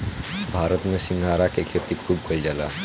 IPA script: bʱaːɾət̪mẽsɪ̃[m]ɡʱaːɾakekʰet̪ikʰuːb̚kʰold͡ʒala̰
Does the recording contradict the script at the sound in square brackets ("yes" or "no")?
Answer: yes